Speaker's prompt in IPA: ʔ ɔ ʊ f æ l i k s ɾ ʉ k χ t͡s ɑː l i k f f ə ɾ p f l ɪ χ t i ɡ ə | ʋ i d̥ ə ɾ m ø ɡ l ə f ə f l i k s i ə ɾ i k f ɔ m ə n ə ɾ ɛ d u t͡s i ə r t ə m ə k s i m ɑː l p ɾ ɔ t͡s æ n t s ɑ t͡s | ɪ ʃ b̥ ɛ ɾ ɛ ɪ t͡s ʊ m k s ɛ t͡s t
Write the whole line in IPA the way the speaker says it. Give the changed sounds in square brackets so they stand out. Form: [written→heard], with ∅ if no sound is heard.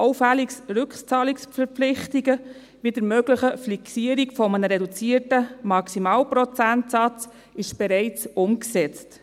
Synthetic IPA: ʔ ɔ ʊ f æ l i k s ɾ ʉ k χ t͡s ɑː l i k [f→s] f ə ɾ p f l ɪ χ t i ɡ ə | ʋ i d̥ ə ɾ m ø ɡ l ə [f→χ] ə f l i k s i ə ɾ i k f ɔ m ə n ə ɾ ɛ d u t͡s i ə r t ə m [ə→ɑ] k s i m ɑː l p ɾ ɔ t͡s æ n t s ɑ t͡s | ɪ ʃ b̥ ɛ ɾ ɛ ɪ t͡s ʊ m k s ɛ t͡s t

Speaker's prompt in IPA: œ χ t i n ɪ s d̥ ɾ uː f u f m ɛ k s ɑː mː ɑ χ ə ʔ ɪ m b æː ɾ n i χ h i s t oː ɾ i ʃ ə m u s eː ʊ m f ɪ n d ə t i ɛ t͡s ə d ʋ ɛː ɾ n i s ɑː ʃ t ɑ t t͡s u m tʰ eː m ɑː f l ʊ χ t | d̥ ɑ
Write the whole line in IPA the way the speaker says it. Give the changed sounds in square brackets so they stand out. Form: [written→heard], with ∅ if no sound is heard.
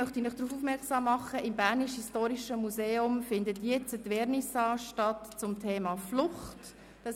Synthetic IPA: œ χ t i n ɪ [s→χ] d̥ ɾ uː f u f m ɛ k s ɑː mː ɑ χ ə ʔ ɪ m b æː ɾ n i [χ→ʃ] h i s t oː ɾ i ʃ ə m u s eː ʊ m f ɪ n d ə t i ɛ t͡s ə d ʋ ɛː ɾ n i s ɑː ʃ t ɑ t t͡s [u→ʊ] m tʰ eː m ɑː f l ʊ χ t | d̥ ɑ

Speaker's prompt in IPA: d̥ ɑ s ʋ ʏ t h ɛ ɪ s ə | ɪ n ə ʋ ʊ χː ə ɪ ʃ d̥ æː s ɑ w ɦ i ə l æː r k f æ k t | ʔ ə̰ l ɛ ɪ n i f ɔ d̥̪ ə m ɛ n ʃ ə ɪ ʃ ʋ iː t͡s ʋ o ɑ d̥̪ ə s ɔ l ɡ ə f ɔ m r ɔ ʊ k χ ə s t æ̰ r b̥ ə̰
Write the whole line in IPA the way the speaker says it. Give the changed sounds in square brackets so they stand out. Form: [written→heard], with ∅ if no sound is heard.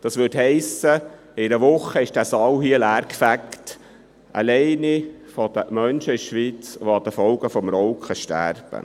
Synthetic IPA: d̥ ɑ s ʋ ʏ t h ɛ ɪ s ə | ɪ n ə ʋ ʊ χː ə ɪ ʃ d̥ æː s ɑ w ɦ i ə l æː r k f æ k t | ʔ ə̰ l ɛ ɪ n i f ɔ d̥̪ ə m [ɛ→œ] n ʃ ə ɪ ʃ ʋ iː t͡s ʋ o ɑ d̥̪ ə [s→f] ɔ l ɡ ə f ɔ m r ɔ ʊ k χ ə [s→ʃ] t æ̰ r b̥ ə̰

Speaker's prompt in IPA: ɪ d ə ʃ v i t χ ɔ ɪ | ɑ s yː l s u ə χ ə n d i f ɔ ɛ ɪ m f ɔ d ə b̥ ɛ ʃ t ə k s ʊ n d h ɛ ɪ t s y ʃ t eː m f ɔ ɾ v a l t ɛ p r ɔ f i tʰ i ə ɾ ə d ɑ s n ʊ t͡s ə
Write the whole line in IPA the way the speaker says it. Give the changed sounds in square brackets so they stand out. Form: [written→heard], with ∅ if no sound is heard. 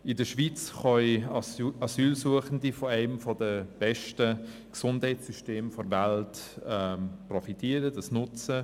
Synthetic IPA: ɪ d ə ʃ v i [t→t͡s] χ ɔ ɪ | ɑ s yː l s u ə χ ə n d i f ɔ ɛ ɪ m f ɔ d ə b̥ ɛ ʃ t ə k s ʊ n d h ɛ ɪ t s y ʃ t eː m f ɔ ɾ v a l t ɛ p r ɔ f i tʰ i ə ɾ ə d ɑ s n ʊ t͡s ə

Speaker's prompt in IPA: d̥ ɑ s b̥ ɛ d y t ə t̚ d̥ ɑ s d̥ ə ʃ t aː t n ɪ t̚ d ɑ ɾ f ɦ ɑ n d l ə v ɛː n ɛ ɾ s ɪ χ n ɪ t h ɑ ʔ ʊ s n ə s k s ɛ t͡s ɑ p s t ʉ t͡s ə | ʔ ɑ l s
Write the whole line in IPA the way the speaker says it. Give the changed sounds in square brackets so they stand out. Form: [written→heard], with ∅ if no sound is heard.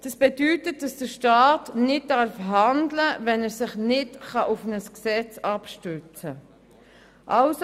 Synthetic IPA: d̥ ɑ s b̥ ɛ d y t ə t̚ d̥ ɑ s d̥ ə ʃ t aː t n ɪ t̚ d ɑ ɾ f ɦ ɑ n d l ə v [ɛː→ɛ] n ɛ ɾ s ɪ χ n ɪ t [h→χ] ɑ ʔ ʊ [s→f] n ə s k s ɛ t͡s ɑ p [s→ʃ] t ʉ t͡s ə | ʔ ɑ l s

